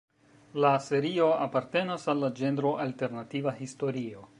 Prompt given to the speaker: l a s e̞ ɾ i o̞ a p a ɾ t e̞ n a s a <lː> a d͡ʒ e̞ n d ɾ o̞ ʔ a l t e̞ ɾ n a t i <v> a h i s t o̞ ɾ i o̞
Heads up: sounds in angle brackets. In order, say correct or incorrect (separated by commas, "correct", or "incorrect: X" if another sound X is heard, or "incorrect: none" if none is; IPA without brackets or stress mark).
correct, correct